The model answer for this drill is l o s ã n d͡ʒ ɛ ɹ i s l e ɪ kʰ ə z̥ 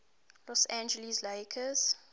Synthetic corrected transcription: l ɔ s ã n d͡ʒ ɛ l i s l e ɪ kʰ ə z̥